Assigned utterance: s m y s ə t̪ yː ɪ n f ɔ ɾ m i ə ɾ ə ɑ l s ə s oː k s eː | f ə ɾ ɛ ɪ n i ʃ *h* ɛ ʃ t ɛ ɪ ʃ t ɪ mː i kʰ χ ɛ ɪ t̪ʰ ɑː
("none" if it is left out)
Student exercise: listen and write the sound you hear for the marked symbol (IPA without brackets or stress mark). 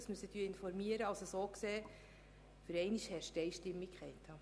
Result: h